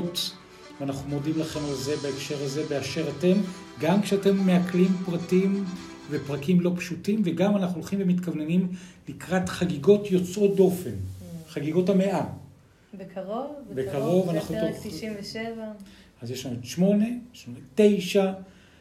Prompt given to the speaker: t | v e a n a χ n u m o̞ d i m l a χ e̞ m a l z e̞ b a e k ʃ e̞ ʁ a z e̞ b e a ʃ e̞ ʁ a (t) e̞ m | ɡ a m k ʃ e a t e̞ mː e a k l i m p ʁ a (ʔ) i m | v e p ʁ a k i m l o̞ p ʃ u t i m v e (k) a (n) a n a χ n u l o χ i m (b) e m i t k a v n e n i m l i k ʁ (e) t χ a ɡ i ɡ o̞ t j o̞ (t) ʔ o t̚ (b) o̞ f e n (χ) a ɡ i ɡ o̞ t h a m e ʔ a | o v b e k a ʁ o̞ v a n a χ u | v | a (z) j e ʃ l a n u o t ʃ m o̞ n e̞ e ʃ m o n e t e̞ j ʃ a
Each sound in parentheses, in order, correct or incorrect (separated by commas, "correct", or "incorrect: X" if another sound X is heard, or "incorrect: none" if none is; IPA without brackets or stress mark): correct, incorrect: t, incorrect: ɡ, incorrect: m, incorrect: v, incorrect: a, incorrect: t͡s, incorrect: d, correct, correct